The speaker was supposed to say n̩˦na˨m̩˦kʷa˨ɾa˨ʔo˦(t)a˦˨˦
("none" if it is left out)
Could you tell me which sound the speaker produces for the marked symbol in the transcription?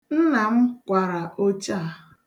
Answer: t͡ʃ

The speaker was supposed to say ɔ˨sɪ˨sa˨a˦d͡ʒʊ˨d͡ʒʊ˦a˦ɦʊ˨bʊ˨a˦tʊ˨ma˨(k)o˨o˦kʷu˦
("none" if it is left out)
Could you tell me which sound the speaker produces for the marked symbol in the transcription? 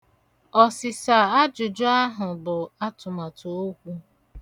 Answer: t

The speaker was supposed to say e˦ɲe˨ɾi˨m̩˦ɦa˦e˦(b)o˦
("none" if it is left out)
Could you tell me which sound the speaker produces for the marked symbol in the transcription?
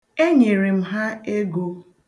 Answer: ɡ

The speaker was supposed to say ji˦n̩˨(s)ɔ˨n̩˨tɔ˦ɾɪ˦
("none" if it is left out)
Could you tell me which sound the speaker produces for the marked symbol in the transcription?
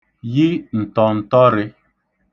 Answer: t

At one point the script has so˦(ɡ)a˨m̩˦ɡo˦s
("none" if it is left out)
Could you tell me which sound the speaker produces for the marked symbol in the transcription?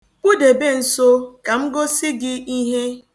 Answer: k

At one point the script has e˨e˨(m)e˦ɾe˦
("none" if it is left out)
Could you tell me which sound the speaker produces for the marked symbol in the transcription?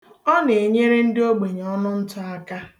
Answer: ɲ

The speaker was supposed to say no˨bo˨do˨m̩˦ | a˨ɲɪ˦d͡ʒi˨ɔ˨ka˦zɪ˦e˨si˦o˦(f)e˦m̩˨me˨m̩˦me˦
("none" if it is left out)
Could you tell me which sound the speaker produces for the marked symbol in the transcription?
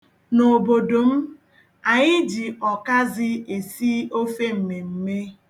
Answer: f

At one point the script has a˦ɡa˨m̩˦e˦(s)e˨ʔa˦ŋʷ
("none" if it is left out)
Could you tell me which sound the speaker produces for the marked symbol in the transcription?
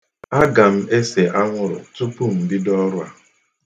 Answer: s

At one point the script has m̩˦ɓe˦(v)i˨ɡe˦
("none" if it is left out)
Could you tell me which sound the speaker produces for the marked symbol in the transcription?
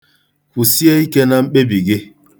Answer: b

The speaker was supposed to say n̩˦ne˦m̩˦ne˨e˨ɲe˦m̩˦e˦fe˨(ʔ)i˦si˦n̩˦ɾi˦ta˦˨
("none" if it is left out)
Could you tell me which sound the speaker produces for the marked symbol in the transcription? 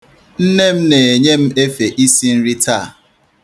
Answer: ʔ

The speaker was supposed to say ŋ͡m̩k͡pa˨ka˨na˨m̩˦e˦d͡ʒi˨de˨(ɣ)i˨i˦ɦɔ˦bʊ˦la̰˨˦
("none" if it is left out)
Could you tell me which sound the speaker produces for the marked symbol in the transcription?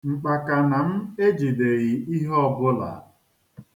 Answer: ɣ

